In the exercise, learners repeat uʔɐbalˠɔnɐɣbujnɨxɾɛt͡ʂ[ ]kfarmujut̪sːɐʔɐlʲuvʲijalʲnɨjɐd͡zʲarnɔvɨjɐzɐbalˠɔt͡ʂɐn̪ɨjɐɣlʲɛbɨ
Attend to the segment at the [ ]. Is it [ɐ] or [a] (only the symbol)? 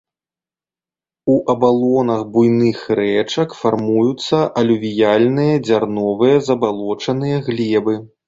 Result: ɐ